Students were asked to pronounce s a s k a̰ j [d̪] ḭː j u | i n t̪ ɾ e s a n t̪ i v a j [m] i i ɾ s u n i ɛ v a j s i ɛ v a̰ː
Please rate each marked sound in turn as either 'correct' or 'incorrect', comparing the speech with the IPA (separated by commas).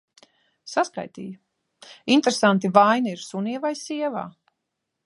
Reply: incorrect, incorrect